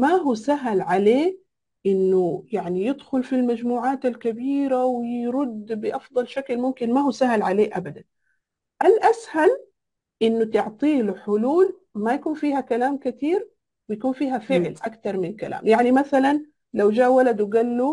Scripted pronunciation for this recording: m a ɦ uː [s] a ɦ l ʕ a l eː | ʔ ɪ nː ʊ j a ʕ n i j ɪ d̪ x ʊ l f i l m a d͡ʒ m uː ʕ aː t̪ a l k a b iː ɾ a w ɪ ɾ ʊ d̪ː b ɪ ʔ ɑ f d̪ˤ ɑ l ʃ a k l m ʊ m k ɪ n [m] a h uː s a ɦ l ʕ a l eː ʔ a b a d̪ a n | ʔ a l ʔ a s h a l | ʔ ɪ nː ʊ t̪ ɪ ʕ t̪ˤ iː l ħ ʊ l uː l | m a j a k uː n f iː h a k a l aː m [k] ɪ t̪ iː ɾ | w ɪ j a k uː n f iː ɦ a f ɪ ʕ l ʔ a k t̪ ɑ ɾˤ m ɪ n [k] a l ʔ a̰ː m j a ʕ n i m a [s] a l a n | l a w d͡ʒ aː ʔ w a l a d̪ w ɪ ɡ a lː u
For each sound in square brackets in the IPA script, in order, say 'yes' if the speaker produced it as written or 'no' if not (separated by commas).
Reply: yes, yes, yes, yes, no